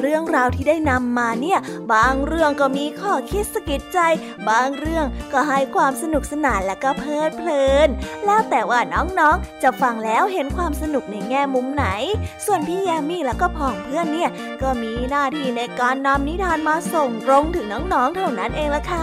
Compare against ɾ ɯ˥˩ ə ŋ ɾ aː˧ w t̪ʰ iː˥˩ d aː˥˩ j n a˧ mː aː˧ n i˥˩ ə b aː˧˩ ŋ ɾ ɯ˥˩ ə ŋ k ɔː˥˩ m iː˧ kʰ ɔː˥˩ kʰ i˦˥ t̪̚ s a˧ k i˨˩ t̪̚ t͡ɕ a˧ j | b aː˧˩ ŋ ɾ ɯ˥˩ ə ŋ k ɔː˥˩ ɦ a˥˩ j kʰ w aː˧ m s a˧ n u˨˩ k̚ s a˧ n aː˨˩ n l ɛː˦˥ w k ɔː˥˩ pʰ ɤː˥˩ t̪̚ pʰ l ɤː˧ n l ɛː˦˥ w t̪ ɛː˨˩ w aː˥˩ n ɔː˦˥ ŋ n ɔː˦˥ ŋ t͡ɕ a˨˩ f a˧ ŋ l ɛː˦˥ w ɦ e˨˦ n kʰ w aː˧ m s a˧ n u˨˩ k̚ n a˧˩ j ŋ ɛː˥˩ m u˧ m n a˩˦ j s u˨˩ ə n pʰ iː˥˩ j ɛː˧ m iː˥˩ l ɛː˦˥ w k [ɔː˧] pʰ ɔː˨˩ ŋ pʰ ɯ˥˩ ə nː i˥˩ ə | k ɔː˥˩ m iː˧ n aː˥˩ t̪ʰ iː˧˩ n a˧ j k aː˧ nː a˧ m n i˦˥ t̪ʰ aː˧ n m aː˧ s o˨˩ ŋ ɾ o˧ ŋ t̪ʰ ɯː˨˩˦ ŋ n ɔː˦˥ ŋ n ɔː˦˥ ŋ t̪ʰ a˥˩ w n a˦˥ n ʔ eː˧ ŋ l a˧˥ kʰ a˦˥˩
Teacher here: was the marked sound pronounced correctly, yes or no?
no